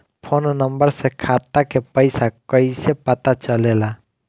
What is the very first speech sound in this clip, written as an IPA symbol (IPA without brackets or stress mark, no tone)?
pʰ